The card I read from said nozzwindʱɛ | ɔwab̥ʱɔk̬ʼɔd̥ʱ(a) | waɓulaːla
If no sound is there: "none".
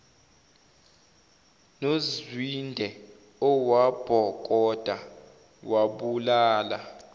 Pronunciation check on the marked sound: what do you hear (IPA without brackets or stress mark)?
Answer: a